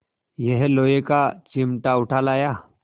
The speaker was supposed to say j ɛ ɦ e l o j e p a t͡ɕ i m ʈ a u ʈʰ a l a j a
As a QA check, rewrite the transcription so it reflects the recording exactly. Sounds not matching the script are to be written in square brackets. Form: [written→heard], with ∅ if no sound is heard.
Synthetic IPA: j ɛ ɦ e l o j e [p→k] a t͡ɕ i m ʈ a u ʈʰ a l a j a